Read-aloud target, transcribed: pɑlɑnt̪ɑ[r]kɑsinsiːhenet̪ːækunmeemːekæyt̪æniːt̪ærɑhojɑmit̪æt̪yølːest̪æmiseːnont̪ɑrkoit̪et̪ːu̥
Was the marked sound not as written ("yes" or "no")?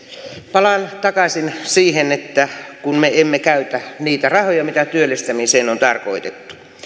yes